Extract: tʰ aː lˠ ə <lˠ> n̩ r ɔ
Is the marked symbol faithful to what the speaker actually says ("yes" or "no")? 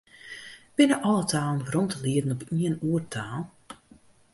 no